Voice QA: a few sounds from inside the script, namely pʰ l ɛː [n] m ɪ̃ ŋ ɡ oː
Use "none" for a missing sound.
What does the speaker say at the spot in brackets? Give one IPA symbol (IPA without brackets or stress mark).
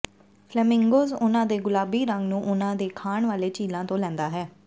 none